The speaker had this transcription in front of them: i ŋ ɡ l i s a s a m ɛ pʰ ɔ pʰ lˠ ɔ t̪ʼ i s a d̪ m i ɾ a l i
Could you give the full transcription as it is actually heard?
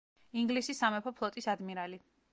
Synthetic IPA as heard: i ŋ ɡ l i s i s a m ɛ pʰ ɔ pʰ lˠ ɔ t̪ʼ i s a d̪ m i ɾ a l i